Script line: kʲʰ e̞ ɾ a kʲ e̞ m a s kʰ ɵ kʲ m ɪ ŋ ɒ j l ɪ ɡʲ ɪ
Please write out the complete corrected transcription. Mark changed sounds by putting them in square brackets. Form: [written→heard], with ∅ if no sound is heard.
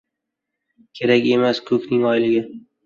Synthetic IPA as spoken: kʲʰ e̞ ɾ a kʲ e̞ m a s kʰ ɵ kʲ [m→n] ɪ ŋ ɒ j l ɪ ɡʲ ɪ

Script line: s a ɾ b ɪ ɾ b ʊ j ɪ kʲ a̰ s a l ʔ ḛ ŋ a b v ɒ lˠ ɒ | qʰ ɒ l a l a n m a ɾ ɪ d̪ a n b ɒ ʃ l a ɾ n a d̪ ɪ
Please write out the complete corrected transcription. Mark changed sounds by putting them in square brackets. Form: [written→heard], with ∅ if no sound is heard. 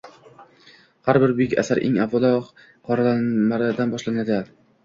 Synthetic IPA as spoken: [s→h] a ɾ b ɪ ɾ b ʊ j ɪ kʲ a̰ s a [l→ɾ] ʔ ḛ ŋ a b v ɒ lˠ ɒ | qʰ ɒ [l→ɾ] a l a n m a ɾ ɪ d̪ a n b ɒ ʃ l a [ɾ→∅] n a d̪ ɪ

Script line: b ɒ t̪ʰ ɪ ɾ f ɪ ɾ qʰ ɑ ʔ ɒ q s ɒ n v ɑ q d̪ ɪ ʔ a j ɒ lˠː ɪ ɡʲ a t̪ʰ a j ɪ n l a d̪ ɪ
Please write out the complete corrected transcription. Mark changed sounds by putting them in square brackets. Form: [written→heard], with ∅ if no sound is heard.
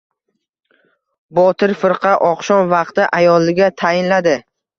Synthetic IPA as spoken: b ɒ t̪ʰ ɪ ɾ f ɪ ɾ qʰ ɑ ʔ ɒ q [s→ʃ] ɒ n v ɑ q [d̪→t̪] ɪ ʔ a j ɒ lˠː ɪ ɡʲ a t̪ʰ a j ɪ n l a d̪ ɪ

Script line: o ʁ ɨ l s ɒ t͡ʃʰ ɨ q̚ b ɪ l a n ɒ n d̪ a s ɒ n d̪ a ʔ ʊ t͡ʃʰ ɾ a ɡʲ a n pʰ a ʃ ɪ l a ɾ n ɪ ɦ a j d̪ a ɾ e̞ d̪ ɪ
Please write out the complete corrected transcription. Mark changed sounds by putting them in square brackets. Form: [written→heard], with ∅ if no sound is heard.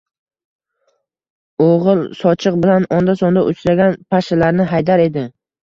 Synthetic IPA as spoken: o ʁ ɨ l s ɒ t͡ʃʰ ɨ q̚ b ɪ l a n ɒ n d̪ a s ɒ n d̪ a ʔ ʊ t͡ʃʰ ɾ a ɡʲ a n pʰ a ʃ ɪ l a ɾ n ɪ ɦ a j d̪ a ɾ e̞ d̪ ɪ

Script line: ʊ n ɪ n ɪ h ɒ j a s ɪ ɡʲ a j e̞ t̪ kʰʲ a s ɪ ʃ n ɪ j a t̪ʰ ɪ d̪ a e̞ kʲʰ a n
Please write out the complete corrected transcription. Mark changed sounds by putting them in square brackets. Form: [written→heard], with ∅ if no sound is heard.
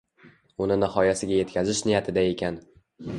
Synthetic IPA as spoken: ʊ n ɪ n ɪ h ɒ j a s ɪ ɡʲ a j e̞ t̪ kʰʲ a [s→z] ɪ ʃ n ɪ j a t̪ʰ ɪ d̪ a e̞ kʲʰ a n

